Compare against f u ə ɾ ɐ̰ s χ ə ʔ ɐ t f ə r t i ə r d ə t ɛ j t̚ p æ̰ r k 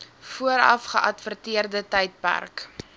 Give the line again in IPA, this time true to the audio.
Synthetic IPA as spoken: f u ə ɾ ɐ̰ f χ ə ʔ ɐ t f ə r t i ə r d ə t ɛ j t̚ p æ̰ r k